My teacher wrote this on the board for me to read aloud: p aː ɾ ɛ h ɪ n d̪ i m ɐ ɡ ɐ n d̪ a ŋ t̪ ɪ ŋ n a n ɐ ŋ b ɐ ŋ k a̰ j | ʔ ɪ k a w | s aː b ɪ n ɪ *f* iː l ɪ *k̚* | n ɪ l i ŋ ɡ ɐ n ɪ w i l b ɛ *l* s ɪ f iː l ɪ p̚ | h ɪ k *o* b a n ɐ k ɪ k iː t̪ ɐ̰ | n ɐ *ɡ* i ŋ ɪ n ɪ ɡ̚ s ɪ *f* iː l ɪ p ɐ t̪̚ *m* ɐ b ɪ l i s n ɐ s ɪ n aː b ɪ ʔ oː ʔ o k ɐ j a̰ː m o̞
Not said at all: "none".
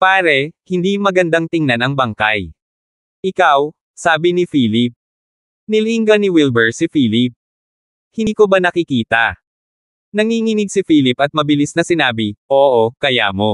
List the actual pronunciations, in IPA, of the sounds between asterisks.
f, p̚, ɹ, o, ŋ, f, m

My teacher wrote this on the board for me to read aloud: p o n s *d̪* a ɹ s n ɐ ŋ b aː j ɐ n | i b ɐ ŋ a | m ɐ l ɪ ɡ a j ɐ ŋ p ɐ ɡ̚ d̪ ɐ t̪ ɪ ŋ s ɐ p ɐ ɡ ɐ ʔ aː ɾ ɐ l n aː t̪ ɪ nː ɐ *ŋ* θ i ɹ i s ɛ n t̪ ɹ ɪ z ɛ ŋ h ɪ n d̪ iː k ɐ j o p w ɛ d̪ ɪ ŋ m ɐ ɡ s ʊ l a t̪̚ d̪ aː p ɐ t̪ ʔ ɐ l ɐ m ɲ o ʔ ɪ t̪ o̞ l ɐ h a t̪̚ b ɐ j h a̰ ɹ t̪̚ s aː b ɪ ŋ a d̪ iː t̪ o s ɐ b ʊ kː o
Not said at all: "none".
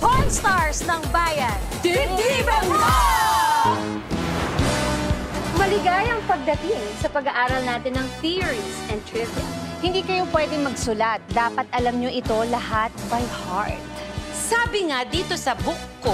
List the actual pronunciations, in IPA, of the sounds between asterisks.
t̪, ŋ

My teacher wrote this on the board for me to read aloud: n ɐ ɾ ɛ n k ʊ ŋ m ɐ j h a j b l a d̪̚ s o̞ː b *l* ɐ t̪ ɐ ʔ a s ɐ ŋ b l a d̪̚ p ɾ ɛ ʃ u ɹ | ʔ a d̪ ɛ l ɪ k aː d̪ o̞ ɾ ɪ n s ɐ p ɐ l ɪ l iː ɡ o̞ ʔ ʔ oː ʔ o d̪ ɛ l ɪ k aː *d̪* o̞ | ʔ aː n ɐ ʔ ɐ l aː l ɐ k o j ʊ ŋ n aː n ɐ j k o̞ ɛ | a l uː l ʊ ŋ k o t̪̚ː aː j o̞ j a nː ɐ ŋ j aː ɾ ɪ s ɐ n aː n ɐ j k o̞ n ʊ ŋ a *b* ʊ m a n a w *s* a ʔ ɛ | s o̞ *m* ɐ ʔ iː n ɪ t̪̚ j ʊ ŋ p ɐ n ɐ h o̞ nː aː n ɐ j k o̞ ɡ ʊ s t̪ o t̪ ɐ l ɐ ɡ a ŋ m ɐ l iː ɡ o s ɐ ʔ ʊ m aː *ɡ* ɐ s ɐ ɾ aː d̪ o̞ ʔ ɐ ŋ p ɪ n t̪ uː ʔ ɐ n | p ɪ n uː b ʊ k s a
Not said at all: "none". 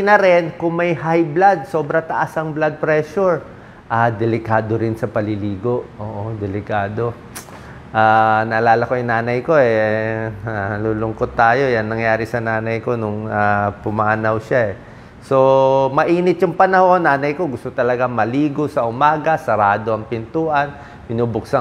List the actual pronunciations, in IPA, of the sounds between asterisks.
ɾ, d̪, p, ʃ, m, ɡ

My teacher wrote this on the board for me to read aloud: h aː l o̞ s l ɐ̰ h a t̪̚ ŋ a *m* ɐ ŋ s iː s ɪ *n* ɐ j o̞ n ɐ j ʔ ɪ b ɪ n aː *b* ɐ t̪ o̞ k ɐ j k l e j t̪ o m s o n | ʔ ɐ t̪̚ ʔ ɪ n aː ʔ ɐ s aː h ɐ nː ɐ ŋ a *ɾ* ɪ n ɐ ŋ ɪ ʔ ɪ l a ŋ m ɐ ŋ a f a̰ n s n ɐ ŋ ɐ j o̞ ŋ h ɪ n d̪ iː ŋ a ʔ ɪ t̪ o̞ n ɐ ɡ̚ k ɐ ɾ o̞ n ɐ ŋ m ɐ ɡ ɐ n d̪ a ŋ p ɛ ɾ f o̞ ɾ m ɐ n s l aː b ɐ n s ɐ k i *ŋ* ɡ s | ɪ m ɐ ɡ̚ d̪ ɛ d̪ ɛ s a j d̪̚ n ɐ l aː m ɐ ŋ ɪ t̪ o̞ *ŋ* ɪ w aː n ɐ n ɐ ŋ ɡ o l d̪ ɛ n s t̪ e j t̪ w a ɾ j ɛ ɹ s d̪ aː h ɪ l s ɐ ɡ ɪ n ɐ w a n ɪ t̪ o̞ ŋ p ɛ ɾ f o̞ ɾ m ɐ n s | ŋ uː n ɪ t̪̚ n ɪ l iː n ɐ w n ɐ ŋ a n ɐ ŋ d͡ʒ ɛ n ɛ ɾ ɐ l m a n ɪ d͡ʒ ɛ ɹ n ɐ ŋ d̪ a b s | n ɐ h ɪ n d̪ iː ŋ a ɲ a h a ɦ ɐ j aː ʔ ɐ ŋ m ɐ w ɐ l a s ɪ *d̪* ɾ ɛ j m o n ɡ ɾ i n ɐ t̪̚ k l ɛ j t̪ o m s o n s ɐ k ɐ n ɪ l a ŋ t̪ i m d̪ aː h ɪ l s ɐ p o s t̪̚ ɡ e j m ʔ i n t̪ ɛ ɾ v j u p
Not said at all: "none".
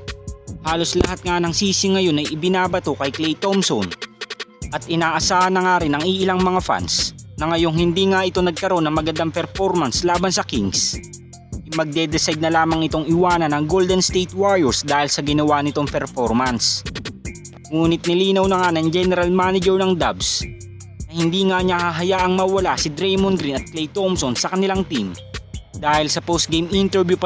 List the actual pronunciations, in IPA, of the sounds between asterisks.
n, ŋ, b, ɾ, ŋ, ŋ, d̪

